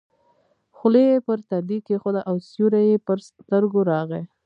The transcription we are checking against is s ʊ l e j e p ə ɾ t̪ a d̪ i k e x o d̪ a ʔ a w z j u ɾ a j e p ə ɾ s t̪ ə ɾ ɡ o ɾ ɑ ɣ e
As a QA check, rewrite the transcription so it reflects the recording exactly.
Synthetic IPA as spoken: x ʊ l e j e p ə ɾ t̪ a d̪ i k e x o d̪ a ʔ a w s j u ɾ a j e p ə ɾ s t̪ ə ɾ ɡ o ɾ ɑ ɣ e